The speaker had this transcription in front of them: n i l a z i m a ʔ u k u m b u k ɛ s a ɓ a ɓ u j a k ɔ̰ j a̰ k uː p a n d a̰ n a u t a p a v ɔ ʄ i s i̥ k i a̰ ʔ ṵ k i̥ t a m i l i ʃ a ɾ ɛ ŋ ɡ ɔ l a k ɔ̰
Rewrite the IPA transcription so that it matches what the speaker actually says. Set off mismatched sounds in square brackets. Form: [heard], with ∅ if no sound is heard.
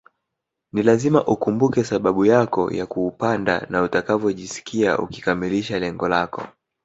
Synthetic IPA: n i l a z i m a ʔ u k u m b u k ɛ s a ɓ a ɓ u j a k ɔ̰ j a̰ k uː p a n d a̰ n a u t a [k] a v ɔ ʄ i s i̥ k i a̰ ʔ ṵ k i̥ [k] a m i l i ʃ a [l] ɛ ŋ ɡ ɔ l a k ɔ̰